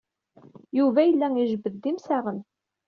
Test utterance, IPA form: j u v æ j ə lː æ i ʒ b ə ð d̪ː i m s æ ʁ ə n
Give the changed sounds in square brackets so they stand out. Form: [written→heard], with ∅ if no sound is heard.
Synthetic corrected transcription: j u v æ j ə lː æ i ʒ b ə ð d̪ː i m s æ ʁ ə n